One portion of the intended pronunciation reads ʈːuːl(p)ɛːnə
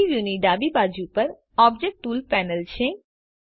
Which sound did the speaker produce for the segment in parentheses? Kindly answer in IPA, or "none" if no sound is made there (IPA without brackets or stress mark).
p